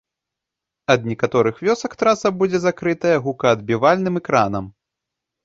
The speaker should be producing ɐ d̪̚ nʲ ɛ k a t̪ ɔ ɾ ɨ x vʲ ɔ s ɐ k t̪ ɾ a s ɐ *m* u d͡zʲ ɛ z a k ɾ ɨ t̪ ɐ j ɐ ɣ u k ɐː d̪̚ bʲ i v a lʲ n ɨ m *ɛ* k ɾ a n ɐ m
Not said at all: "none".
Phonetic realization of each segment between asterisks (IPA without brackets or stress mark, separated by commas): b, ɛ